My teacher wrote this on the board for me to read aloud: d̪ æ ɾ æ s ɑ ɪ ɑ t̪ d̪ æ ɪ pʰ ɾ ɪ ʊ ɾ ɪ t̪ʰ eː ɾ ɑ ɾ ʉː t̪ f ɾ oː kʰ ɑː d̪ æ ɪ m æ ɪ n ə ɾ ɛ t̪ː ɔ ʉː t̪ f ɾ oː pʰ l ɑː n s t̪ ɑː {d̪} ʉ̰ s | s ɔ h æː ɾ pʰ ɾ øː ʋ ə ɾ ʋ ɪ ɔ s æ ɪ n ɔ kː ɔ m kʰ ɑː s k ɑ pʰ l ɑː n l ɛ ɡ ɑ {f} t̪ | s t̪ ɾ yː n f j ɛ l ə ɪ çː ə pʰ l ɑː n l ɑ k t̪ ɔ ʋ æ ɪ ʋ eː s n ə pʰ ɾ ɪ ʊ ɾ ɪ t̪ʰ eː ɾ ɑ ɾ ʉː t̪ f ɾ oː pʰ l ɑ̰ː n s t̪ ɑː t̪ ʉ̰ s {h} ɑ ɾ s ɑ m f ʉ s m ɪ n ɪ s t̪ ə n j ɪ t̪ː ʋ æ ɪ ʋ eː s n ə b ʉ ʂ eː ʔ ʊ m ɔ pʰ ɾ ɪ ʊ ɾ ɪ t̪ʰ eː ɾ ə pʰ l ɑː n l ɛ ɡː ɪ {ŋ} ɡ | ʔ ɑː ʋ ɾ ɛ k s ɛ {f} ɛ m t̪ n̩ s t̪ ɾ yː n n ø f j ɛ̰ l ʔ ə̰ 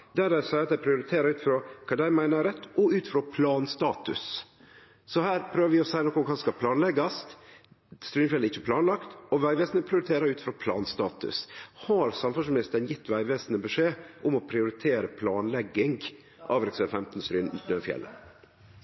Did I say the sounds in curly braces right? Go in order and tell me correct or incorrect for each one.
incorrect: t̪, incorrect: s, correct, correct, correct

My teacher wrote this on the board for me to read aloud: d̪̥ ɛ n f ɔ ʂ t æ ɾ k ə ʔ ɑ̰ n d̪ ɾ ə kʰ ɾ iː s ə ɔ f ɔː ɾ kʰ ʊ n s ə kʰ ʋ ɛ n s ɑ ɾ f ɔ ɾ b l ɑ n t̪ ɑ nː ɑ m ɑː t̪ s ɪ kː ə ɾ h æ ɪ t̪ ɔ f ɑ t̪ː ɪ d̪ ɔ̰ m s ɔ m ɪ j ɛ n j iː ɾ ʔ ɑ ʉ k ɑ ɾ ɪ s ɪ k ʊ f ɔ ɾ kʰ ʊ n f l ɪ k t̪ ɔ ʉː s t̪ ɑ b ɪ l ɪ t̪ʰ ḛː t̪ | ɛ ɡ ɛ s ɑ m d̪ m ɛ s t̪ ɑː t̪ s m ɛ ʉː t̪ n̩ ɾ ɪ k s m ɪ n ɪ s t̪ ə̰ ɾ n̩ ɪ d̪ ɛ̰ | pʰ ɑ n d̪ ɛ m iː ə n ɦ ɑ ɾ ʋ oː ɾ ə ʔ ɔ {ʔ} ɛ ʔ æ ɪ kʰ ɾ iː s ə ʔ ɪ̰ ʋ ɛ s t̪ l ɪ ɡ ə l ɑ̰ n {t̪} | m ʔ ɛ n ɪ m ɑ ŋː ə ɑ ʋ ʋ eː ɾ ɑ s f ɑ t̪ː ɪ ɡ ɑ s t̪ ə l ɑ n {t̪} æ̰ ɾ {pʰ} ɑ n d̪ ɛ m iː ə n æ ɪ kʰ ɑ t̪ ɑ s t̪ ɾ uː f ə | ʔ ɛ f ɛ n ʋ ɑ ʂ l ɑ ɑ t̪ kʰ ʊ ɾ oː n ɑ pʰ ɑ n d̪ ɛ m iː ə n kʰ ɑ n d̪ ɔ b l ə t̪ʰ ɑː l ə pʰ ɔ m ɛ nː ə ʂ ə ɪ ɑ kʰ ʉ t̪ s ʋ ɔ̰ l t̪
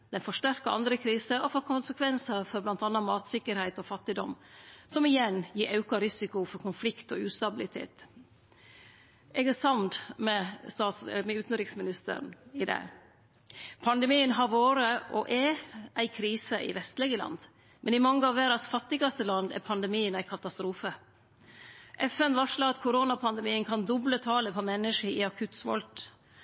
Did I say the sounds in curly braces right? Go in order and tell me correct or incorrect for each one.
correct, incorrect: d̪, incorrect: d̪, correct

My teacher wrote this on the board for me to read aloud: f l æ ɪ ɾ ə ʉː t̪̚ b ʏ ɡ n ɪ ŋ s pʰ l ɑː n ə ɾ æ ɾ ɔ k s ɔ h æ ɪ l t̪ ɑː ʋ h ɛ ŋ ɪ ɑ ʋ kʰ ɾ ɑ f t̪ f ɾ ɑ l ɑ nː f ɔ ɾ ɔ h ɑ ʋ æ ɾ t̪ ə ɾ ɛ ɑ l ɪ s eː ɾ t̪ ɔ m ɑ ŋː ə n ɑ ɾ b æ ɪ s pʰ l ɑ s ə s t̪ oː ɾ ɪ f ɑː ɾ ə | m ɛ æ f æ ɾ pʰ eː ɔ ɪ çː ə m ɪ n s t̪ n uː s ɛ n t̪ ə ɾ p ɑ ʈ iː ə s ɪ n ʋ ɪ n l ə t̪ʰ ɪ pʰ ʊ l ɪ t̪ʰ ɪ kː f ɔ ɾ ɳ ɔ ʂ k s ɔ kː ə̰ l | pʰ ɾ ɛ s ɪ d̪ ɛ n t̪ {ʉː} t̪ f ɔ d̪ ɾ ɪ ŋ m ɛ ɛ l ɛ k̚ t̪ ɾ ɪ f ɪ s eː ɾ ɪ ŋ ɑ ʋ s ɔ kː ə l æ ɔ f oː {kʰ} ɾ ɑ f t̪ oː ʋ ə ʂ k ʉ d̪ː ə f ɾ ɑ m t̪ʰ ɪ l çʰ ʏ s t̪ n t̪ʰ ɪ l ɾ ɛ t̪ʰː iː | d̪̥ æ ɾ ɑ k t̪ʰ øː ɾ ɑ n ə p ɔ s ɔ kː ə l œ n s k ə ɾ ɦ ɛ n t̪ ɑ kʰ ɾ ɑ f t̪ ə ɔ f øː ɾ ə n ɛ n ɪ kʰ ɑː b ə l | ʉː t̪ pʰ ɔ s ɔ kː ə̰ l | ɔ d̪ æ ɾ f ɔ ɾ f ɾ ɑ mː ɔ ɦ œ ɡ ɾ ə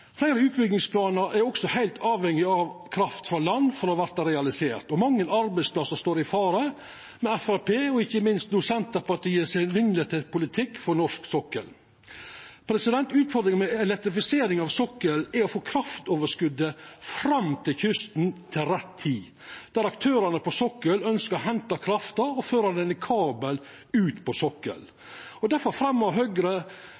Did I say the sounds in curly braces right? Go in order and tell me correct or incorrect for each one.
correct, correct

